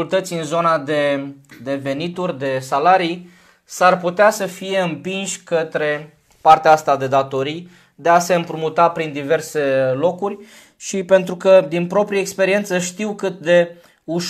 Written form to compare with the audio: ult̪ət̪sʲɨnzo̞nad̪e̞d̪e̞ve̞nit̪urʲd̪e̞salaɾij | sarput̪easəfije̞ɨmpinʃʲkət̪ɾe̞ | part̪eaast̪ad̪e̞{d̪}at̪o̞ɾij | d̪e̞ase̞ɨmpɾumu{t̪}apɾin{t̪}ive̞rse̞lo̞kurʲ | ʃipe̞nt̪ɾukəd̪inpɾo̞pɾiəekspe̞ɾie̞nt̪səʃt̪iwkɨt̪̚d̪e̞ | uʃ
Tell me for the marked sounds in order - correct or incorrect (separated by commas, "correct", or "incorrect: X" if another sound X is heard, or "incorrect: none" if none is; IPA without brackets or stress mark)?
correct, correct, incorrect: d̪